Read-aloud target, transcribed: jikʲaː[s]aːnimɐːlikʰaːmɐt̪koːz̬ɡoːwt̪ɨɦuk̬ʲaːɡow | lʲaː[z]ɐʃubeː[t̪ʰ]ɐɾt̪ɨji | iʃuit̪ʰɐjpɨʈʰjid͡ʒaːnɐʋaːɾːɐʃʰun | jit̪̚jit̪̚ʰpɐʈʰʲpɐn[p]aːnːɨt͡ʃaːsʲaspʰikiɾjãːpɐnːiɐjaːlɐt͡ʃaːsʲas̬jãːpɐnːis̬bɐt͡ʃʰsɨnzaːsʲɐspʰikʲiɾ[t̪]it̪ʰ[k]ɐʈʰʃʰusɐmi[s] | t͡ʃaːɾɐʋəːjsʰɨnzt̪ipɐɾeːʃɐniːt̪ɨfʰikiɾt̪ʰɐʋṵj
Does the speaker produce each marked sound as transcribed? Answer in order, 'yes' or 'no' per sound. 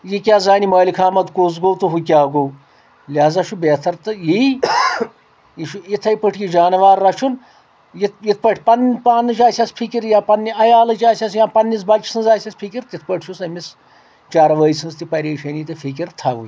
no, yes, yes, yes, yes, no, yes

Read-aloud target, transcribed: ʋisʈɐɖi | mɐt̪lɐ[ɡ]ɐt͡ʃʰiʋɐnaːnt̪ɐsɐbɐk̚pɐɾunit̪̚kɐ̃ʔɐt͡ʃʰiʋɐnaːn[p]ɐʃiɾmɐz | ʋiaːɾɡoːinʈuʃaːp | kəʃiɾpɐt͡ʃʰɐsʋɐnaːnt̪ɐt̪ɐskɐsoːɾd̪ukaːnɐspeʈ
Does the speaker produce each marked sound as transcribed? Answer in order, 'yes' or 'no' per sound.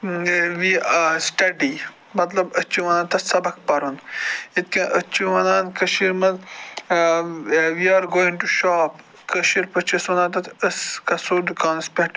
no, no

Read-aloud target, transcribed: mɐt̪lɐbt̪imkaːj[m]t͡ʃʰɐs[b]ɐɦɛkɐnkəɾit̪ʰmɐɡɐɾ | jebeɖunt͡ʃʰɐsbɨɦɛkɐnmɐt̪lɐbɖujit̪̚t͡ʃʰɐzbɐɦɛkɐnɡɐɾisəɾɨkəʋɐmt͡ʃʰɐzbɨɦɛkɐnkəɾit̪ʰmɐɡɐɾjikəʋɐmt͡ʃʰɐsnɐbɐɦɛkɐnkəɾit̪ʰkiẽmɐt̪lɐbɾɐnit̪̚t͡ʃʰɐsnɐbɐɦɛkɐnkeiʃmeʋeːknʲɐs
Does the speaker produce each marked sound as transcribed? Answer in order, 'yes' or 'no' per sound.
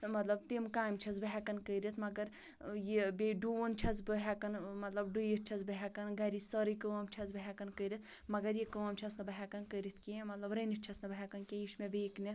yes, yes

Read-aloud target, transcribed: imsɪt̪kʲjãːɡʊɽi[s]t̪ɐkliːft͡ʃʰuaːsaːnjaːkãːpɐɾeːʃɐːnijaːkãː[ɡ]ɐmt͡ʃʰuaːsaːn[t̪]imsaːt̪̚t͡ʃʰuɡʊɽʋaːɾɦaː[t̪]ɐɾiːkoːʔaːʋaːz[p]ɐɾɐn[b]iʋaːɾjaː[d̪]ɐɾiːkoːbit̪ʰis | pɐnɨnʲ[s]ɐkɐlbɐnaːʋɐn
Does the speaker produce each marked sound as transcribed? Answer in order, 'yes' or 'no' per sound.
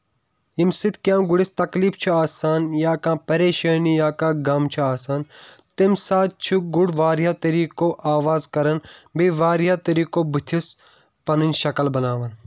yes, yes, yes, yes, no, yes, no, no

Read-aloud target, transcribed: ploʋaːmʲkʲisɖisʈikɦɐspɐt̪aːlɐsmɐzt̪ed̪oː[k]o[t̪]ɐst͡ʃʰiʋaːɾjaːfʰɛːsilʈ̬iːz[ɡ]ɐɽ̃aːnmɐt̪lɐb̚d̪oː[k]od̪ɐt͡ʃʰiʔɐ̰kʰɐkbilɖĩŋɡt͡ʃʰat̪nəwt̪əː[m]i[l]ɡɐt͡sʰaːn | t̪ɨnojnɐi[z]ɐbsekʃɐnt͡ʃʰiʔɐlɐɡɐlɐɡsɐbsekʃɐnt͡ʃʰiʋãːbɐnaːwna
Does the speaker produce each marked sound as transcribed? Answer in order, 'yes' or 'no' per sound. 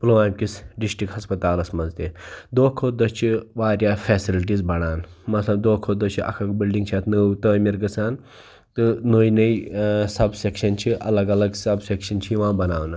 no, no, no, no, yes, no, no

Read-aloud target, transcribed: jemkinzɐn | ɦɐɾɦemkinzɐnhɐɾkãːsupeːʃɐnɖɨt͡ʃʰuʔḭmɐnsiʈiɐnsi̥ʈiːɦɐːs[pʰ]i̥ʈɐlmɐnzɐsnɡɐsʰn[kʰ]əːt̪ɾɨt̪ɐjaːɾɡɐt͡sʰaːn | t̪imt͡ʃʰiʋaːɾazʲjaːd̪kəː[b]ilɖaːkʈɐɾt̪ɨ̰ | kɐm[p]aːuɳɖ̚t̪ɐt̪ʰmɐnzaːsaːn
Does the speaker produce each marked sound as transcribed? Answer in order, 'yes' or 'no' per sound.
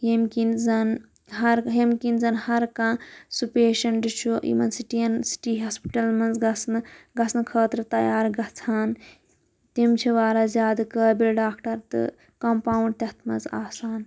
no, yes, yes, yes

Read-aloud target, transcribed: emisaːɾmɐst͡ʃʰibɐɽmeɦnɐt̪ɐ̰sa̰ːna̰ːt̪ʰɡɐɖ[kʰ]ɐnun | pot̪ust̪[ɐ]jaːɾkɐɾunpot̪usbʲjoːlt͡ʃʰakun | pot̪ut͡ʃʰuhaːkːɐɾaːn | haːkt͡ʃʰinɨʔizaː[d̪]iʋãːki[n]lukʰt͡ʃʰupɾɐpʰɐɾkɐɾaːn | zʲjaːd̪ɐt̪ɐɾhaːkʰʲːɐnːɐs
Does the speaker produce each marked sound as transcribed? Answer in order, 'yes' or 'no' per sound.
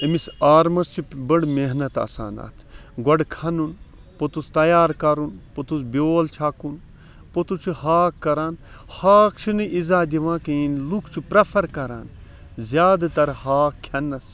yes, yes, yes, yes

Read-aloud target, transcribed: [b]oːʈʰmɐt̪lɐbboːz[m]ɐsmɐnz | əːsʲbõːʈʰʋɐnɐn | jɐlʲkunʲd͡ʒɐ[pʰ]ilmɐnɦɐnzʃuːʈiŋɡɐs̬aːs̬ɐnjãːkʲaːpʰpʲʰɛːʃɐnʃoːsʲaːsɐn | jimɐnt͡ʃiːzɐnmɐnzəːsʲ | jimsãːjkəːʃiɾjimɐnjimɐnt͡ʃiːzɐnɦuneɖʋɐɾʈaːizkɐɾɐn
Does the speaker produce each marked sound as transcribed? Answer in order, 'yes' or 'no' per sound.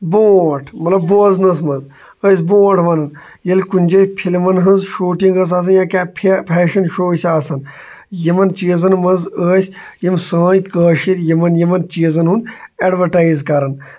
yes, no, yes

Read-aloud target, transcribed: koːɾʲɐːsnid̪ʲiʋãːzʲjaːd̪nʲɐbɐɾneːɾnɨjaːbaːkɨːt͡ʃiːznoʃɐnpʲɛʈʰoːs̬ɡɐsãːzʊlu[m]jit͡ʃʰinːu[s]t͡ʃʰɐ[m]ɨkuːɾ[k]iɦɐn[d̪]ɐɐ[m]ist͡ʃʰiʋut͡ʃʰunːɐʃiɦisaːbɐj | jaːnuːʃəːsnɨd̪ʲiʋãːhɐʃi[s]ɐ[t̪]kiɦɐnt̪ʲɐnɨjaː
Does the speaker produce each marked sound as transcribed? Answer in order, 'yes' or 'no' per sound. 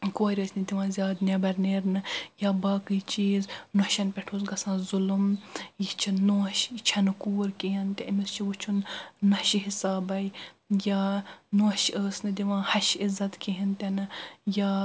yes, no, no, yes, no, yes, no, yes

